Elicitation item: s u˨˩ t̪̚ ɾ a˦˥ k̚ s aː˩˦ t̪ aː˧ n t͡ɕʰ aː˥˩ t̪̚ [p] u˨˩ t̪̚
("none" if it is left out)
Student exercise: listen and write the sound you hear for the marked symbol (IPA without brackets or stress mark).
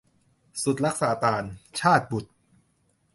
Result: b